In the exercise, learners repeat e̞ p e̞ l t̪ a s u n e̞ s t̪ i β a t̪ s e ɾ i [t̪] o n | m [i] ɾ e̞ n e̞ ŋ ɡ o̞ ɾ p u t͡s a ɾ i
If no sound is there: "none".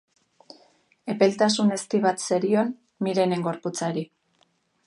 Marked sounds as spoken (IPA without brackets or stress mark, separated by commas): none, i